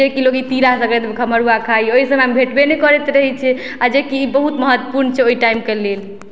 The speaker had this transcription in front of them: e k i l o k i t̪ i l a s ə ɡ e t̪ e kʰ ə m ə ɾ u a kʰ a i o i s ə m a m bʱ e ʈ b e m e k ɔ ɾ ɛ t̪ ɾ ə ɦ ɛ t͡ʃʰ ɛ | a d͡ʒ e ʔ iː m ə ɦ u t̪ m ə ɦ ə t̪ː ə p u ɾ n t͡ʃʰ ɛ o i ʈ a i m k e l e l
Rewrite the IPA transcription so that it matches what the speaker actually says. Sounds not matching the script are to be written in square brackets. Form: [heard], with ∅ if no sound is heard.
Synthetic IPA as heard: e k i l o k i t̪ i [ɾ] a s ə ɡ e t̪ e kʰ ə m ə ɾ u a kʰ a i o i s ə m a m bʱ e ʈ b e [n] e k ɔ ɾ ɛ t̪ ɾ ə ɦ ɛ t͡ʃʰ ɛ | a d͡ʒ e [k] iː [b] ə ɦ u t̪ m ə ɦ ə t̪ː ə p u ɾ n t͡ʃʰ ɛ o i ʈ a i m k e l e l